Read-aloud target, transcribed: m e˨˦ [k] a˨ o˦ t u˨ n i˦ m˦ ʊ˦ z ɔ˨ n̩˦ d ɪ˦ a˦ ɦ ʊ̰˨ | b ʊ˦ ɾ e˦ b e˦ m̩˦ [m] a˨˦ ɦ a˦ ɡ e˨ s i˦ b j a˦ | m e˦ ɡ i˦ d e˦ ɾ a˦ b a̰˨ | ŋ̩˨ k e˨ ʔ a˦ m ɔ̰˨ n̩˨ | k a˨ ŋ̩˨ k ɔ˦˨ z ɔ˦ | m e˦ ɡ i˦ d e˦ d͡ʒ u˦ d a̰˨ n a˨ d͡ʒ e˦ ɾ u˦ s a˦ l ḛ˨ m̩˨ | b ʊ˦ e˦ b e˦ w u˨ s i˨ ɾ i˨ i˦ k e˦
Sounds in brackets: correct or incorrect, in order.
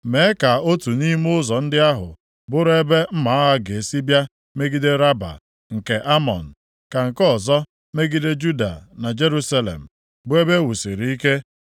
correct, correct

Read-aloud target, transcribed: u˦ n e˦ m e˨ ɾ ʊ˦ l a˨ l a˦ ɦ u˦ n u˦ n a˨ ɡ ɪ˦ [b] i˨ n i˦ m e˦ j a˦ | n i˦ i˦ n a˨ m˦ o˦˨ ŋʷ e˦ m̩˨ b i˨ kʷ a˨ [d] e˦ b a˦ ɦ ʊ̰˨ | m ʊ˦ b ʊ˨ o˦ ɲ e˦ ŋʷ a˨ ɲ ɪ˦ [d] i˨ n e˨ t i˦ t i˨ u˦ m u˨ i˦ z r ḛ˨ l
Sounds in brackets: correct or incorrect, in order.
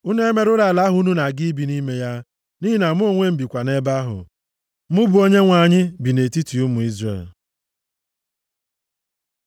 correct, incorrect, incorrect

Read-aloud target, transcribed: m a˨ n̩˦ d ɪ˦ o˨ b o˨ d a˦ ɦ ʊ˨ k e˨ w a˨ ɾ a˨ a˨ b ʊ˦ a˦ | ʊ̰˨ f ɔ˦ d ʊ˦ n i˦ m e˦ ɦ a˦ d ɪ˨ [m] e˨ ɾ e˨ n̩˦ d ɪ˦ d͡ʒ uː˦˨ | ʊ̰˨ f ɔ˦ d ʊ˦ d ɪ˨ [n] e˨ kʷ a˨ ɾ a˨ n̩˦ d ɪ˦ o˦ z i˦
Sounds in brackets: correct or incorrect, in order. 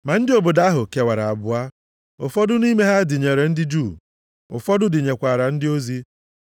incorrect, incorrect

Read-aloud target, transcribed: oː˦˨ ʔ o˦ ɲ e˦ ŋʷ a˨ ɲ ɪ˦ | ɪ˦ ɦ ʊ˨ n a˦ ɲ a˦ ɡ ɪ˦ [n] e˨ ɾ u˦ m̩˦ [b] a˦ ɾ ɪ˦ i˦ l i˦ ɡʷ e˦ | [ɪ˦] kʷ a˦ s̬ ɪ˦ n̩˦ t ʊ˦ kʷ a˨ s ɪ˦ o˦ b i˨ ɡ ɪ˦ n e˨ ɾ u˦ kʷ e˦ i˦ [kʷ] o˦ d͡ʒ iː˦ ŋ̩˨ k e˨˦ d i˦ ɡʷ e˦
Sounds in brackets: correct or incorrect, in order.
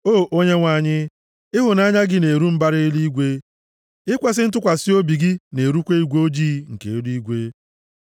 correct, correct, correct, incorrect

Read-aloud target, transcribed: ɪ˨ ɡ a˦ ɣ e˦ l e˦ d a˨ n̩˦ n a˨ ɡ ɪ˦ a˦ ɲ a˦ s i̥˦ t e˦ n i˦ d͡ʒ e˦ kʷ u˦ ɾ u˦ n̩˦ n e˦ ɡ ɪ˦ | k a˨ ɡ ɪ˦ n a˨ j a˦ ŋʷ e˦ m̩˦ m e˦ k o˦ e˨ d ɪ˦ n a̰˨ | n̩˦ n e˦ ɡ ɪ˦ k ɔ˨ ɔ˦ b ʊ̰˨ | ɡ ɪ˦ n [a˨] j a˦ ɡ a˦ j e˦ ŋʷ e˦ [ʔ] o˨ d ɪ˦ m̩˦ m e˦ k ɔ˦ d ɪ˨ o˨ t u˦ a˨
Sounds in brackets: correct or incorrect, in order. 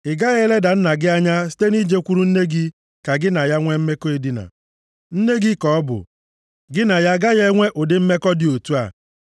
correct, correct

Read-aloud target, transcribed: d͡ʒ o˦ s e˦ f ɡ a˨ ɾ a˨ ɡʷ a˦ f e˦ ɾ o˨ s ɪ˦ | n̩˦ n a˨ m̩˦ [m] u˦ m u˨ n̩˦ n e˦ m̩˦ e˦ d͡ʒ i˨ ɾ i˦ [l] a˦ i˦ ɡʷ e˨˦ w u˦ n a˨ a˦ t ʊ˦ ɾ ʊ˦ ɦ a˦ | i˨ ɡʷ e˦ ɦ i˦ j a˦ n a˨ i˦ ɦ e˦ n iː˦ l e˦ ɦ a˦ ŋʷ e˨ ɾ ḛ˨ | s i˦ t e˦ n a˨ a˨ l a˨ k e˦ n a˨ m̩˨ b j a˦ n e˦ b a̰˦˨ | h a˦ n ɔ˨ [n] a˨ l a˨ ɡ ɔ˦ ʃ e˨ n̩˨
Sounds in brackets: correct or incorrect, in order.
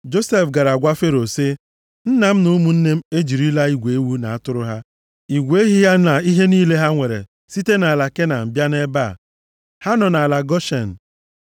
incorrect, correct, correct

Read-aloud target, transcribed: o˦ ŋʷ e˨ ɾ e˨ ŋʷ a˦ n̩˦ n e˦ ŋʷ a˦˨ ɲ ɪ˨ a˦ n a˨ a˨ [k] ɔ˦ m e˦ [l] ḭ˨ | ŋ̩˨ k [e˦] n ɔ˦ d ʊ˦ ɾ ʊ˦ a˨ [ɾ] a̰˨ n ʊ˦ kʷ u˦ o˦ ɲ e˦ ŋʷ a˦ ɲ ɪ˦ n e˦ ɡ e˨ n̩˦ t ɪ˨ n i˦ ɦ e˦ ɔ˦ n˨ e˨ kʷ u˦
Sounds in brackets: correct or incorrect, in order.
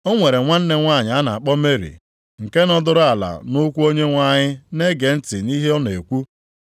incorrect, incorrect, correct, incorrect

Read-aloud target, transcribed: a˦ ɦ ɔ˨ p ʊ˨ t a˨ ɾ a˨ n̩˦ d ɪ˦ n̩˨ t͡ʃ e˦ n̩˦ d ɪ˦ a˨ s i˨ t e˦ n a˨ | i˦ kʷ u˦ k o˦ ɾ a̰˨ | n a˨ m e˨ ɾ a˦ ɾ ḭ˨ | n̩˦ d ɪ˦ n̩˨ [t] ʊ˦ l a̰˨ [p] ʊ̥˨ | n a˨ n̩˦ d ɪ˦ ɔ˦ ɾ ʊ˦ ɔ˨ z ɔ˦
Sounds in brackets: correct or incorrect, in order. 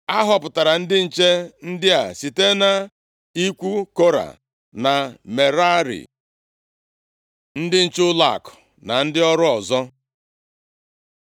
incorrect, incorrect

